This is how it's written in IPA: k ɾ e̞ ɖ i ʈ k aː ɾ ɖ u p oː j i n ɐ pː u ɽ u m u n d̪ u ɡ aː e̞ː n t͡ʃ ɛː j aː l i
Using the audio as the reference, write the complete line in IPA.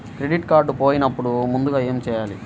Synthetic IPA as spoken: k ɾ e̞ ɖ i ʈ k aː ɾ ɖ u p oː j i n ɐ pː u ɽ u m u n d̪ u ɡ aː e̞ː m t͡ʃ ɛː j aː l i